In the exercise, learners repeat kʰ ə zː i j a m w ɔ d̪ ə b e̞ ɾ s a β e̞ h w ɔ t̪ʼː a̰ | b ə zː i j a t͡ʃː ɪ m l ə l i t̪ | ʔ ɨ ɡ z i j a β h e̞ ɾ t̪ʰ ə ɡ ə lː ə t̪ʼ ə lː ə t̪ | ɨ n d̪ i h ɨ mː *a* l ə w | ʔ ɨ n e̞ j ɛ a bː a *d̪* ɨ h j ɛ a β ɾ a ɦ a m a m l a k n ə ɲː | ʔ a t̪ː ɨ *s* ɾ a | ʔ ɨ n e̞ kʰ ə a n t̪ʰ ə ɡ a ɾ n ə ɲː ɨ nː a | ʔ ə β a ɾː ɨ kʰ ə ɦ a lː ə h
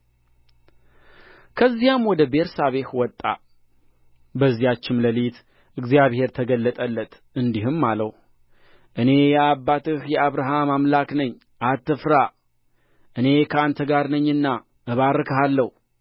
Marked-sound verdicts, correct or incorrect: correct, incorrect: t̪, incorrect: f

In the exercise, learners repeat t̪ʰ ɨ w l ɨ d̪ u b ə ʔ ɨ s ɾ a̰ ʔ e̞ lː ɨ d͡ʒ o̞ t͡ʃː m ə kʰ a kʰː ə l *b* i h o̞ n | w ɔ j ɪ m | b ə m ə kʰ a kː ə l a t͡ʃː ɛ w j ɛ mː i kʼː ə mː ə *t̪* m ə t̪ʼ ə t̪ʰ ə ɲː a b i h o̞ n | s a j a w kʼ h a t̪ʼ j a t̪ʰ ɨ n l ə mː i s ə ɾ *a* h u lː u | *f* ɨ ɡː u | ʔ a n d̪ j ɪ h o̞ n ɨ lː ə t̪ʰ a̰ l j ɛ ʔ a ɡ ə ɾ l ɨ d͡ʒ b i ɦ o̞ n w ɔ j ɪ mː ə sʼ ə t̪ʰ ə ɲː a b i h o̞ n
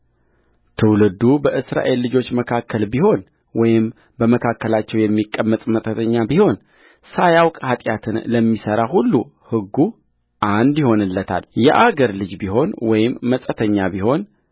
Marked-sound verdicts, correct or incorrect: correct, incorrect: t̪ʼ, correct, incorrect: h

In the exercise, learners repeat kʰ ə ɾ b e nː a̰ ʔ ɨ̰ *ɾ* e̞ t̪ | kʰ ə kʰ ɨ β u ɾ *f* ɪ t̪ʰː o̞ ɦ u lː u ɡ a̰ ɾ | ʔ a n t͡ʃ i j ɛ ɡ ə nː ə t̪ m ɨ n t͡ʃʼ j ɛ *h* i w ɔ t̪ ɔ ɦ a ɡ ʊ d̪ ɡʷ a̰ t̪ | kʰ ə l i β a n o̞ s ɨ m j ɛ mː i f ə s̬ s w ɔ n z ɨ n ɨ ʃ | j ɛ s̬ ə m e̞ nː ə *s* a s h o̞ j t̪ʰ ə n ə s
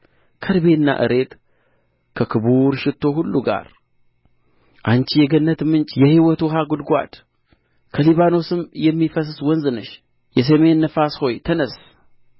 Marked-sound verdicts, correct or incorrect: correct, incorrect: ʃ, correct, incorrect: f

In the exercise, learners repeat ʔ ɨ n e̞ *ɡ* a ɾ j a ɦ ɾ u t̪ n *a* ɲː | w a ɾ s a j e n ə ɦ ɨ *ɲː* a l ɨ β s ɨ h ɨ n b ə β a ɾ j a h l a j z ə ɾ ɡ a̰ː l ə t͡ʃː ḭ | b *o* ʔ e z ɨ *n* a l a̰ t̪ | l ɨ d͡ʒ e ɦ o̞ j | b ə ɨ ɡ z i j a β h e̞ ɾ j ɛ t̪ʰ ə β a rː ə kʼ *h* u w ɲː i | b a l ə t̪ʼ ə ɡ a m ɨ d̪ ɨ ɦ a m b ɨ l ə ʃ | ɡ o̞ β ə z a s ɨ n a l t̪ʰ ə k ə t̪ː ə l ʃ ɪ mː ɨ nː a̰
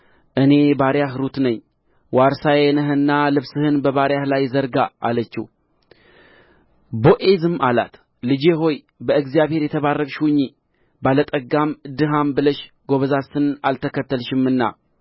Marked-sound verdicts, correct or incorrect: incorrect: b, incorrect: ə, incorrect: nː, correct, incorrect: m, incorrect: ʃ

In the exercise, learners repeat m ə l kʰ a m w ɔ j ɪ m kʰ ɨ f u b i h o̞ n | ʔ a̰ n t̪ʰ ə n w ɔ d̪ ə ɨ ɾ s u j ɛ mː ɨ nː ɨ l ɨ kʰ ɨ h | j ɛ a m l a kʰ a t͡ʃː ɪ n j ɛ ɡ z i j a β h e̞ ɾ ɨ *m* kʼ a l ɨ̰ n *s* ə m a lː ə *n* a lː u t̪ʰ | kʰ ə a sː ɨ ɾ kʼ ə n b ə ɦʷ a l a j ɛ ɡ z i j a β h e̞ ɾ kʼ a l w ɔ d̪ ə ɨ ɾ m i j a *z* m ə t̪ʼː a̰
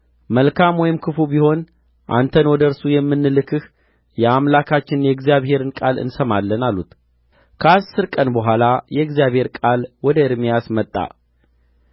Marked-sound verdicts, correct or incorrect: incorrect: n, correct, correct, incorrect: s

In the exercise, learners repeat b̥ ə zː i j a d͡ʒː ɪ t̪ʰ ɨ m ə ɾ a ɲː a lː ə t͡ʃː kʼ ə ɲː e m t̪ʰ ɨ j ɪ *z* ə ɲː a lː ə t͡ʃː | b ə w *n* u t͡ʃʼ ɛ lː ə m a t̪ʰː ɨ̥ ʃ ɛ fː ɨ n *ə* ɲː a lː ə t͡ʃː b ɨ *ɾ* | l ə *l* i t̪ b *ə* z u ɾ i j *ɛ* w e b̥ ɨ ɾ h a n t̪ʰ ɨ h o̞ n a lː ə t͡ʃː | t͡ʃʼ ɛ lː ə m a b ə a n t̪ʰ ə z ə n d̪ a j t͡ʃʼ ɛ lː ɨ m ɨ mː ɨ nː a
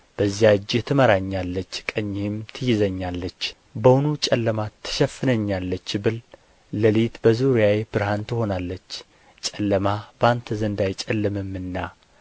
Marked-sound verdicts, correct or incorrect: correct, correct, correct, incorrect: l, correct, correct, incorrect: a

